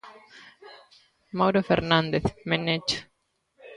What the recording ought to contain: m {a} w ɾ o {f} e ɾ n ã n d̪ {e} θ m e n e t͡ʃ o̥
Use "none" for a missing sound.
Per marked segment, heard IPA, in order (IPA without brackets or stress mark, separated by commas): a, f, e